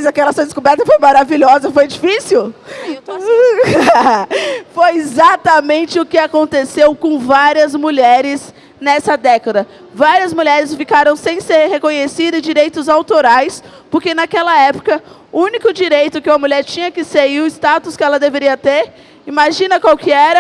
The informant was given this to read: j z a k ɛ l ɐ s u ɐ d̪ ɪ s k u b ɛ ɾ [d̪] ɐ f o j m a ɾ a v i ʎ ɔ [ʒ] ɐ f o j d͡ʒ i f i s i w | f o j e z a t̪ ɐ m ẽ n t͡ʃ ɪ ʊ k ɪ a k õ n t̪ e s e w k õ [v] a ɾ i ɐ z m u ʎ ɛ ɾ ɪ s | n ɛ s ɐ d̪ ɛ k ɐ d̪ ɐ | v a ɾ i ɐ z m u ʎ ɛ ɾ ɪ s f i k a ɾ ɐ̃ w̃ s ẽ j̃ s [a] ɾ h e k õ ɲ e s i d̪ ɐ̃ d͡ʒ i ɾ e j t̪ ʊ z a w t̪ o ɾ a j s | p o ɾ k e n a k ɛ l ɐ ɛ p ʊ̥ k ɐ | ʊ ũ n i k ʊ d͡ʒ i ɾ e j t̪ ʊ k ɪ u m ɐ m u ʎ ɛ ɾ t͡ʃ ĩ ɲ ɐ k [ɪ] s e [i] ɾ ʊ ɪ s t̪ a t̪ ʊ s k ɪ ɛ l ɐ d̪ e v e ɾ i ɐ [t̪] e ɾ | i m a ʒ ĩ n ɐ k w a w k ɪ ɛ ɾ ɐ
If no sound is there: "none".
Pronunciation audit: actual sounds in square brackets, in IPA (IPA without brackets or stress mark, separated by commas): t̪, z, v, e, ɪ, i, t̪